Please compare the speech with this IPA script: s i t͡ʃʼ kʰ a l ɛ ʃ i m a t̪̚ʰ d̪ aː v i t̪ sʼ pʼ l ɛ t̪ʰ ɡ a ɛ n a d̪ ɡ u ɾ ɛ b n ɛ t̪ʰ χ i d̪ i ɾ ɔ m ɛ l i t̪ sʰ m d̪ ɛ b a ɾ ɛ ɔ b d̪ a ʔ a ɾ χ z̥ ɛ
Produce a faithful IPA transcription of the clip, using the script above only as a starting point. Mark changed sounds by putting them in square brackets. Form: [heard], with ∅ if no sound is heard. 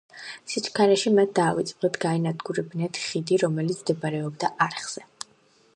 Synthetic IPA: s i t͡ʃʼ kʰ a [ɾ] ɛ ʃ i m a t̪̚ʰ d̪ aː v i t̪ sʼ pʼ l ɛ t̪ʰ ɡ a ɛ n a d̪ ɡ u ɾ ɛ b n ɛ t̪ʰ χ i d̪ i ɾ ɔ m ɛ l i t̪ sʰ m d̪ ɛ b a ɾ ɛ ɔ b d̪ a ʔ a ɾ χ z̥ ɛ

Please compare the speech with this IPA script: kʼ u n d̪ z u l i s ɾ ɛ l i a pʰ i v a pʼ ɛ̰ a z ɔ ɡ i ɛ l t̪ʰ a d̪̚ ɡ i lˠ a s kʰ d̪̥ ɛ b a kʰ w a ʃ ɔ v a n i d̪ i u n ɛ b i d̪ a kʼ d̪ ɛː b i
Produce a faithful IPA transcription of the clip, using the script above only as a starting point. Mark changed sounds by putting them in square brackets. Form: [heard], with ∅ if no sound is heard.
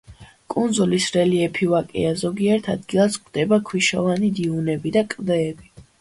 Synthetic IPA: kʼ u n d̪ z u l i s ɾ ɛ l i [ɛ] pʰ i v a [kʼ] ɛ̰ a z ɔ ɡ i ɛ [ɾ] t̪ʰ a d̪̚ ɡ i lˠ a s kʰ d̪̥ ɛ b a kʰ w [i] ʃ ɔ v a n i d̪ i u n ɛ b i d̪ a kʼ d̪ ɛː b i

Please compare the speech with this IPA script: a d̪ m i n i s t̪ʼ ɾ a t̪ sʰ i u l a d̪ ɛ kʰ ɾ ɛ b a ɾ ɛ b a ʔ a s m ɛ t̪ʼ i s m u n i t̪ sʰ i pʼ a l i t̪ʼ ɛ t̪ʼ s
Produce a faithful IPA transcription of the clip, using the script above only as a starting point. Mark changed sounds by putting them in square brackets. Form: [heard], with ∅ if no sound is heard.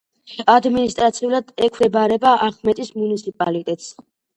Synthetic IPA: a d̪ m i n i s t̪ʼ ɾ a t̪ sʰ i u l a d̪ ɛ kʰ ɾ ɛ b a ɾ ɛ b a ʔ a [χ] m ɛ t̪ʼ i s m u n i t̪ sʰ i pʼ a l i t̪ʼ ɛ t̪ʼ s

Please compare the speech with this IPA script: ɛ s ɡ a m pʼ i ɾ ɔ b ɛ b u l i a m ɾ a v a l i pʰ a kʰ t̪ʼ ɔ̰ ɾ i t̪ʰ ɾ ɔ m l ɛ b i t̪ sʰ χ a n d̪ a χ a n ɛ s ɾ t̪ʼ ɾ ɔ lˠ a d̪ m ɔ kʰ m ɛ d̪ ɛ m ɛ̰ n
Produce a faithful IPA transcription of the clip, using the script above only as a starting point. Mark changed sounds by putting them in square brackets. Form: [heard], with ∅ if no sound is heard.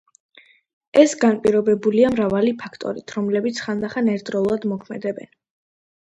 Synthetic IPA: ɛ s ɡ a [n] pʼ i ɾ ɔ b ɛ b u l i a m ɾ a v a l i pʰ a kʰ t̪ʼ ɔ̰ ɾ i t̪ʰ ɾ ɔ m l ɛ b i t̪ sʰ χ a n d̪ a χ a n ɛ [∅] ɾ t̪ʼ ɾ ɔ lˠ a d̪ m ɔ kʰ m ɛ d̪ ɛ [b] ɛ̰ n

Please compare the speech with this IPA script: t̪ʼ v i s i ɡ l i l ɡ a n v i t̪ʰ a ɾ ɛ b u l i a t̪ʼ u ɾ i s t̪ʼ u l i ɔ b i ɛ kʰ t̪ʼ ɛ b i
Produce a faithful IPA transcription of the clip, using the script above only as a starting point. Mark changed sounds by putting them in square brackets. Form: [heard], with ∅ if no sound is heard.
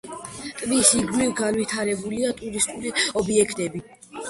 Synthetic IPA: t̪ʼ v i s i ɡ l i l ɡ a n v i t̪ʰ a ɾ ɛ b u l i a t̪ʼ u ɾ i s t̪ʼ u l i ɔ b i ɛ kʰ t̪ʼ ɛ b i

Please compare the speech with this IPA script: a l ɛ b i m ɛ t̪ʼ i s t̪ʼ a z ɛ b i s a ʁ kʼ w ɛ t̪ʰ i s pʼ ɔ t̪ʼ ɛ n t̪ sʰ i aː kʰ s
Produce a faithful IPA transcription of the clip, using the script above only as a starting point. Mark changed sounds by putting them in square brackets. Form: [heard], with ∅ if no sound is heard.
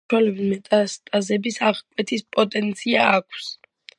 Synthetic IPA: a l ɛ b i m ɛ t̪ʼ [a] s t̪ʼ a z ɛ b i s a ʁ kʼ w ɛ t̪ʰ i s pʼ ɔ t̪ʼ ɛ n t̪ sʰ i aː kʰ s

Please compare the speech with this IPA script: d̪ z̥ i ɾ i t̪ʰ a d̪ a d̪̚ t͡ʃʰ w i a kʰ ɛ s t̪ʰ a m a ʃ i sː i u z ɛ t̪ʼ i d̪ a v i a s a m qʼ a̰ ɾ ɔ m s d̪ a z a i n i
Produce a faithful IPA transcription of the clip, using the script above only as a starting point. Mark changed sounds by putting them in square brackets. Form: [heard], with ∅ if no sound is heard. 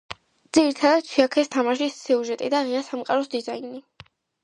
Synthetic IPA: d̪ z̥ i ɾ i t̪ʰ a d̪ a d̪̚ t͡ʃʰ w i a kʰ ɛ s t̪ʰ a m a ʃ i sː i u [ʒ] ɛ t̪ʼ i d̪ a [ʁ] i a s a m qʼ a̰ ɾ ɔ [∅] s d̪ [i] z a i n i

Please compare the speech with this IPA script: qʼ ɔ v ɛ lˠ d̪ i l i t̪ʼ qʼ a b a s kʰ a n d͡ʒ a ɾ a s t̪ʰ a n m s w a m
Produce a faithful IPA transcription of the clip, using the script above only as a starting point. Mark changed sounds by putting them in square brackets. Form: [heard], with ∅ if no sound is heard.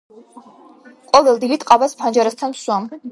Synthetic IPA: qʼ ɔ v ɛ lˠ d̪ i l i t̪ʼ qʼ a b a s [pʰ] a n d͡ʒ a ɾ a s t̪ʰ a n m s w a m

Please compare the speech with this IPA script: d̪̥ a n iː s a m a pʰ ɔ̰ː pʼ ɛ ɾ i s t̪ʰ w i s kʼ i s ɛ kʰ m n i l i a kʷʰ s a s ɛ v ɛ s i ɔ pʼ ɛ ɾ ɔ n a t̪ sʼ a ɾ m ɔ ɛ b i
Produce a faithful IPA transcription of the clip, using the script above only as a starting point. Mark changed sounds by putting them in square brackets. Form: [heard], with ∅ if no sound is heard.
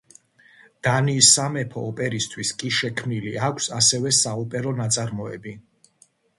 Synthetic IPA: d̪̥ a n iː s a m [ɛ] pʰ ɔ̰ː pʼ ɛ ɾ i s t̪ʰ w i s kʼ i [ʃ] ɛ kʰ m n i l i a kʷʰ s a s ɛ v ɛ s [a] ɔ pʼ ɛ ɾ ɔ n a t̪ sʼ a ɾ m ɔ ɛ b i

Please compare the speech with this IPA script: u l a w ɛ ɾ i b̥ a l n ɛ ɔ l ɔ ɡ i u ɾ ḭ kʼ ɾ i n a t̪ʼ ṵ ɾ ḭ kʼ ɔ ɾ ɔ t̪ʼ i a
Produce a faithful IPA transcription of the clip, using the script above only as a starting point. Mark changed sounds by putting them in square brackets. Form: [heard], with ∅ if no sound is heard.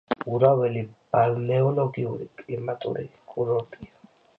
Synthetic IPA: u [ɾ] a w ɛ [l] i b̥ a l n ɛ ɔ l ɔ ɡ i u ɾ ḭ kʼ [l] i [m] a t̪ʼ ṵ ɾ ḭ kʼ [u] ɾ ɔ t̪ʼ i a

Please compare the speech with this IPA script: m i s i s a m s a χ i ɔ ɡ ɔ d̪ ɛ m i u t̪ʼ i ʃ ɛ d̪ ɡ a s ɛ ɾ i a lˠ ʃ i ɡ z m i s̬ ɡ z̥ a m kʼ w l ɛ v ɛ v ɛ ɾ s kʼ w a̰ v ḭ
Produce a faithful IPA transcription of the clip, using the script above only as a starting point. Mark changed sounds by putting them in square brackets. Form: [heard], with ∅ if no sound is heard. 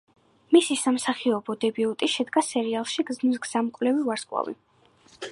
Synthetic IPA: m i s i s a m s a χ i ɔ [b] ɔ d̪ ɛ [b] i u t̪ʼ i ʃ ɛ d̪ ɡ a s ɛ ɾ i a lˠ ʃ i ɡ z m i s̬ ɡ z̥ a m kʼ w l ɛ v [i] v [a] ɾ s kʼ w a̰ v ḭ

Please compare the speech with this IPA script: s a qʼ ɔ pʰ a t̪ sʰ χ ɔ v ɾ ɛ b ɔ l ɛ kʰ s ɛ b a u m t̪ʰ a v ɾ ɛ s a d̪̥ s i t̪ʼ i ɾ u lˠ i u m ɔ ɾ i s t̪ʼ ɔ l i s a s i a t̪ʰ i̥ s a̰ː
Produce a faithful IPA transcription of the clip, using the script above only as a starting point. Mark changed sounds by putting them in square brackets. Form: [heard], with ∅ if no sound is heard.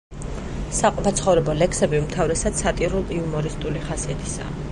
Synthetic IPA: s a qʼ ɔ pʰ a t̪ sʰ χ ɔ v ɾ ɛ b ɔ l ɛ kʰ s ɛ b [i] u m t̪ʰ a v ɾ ɛ s a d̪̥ s [a] t̪ʼ i ɾ u lˠ i u m ɔ ɾ i s t̪ʼ [u] l i [χ] a s i a t̪ʰ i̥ s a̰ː

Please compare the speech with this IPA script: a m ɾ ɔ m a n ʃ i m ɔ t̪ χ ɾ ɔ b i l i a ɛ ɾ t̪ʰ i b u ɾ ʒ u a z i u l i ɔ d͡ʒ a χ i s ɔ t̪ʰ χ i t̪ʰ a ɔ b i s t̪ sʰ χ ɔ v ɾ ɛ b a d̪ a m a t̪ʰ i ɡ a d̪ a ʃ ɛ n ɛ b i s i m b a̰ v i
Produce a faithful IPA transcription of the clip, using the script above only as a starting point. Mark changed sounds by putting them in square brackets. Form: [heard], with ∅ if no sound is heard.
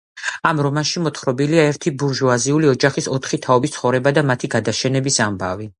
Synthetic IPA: a m ɾ ɔ m a n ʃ i m ɔ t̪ χ ɾ ɔ b i l i a ɛ ɾ t̪ʰ i b u ɾ ʒ u a z i u l i ɔ d͡ʒ a χ i s ɔ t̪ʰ χ i t̪ʰ a ɔ b i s t̪ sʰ χ ɔ v ɾ ɛ b a d̪ a m a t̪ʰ i ɡ a d̪ a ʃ ɛ n ɛ b i s [a] m b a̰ v i

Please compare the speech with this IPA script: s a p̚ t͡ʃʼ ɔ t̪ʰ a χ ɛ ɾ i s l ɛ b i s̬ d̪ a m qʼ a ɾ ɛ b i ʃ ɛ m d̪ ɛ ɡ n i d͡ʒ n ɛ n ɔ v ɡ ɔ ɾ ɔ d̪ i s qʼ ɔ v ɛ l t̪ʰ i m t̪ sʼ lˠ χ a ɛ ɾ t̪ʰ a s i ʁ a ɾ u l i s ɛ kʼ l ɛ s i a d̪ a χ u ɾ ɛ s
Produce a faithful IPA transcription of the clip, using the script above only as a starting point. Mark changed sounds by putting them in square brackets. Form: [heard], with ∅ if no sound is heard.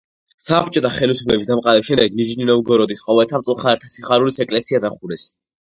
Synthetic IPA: s a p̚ t͡ʃʼ ɔ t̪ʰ a χ ɛ [l] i s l ɛ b i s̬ d̪ a m qʼ a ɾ ɛ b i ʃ ɛ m d̪ ɛ ɡ n i d͡ʒ n [i] n ɔ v ɡ ɔ ɾ ɔ d̪ i s qʼ ɔ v ɛ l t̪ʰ [a] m t̪ sʼ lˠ χ a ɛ ɾ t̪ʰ a s i [χ] a ɾ u l i s ɛ kʼ l ɛ s i a d̪ a χ u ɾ ɛ s

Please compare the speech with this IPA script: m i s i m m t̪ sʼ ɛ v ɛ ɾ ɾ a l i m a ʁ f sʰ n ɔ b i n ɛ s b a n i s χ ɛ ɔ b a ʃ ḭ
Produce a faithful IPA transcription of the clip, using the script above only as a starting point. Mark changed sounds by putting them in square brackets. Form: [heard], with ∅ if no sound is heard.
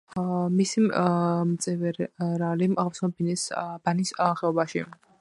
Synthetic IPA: m i s i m m t̪ sʼ ɛ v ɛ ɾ ɾ a l i m a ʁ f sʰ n ɔ b i n ɛ s b a n i s χ ɛ ɔ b a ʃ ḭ

